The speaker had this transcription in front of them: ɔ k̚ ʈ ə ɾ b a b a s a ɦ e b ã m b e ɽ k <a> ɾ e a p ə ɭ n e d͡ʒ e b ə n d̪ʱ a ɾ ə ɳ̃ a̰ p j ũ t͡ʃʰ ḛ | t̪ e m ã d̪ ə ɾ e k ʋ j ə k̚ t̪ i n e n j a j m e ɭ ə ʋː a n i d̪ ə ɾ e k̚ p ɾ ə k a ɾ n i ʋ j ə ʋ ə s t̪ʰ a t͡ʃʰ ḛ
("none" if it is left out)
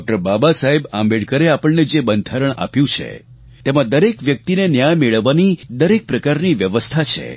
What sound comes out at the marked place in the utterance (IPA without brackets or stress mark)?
ə